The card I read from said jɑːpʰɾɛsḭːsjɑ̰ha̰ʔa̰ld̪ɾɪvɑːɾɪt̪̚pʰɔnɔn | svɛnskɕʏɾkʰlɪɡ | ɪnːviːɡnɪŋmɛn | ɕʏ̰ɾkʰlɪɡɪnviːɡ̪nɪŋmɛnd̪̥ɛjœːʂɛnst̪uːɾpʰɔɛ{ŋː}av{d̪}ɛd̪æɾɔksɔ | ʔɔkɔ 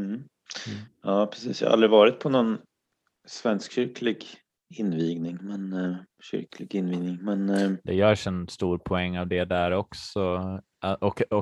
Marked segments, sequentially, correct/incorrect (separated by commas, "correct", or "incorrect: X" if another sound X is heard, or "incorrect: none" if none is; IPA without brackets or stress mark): correct, correct